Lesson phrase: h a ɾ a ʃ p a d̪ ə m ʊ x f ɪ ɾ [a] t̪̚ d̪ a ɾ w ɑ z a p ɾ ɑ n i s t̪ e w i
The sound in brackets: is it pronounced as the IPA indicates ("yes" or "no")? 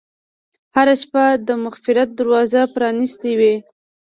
yes